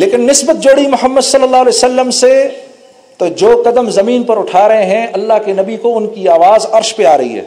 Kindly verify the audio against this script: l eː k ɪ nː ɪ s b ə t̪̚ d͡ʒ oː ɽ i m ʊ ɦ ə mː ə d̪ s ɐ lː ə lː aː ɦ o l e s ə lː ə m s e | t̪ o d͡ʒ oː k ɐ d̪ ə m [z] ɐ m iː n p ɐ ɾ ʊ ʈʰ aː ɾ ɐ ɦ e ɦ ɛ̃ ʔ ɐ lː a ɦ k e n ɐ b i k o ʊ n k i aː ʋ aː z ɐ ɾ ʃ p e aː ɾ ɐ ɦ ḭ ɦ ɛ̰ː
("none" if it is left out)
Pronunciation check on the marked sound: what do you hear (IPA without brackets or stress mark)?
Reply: z